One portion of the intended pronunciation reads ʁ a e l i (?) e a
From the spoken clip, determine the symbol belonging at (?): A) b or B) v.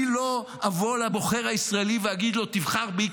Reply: B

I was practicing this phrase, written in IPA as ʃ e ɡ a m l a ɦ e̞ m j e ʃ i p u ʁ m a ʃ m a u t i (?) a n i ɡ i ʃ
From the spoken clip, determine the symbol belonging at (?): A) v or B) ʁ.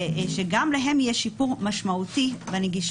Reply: A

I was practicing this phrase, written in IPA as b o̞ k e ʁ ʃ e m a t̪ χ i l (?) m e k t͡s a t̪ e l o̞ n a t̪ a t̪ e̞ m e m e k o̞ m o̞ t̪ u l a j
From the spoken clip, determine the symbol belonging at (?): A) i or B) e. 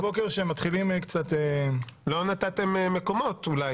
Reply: A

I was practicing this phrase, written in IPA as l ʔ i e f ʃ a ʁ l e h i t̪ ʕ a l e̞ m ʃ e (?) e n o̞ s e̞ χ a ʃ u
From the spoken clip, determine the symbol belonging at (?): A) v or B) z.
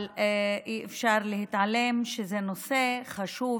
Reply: B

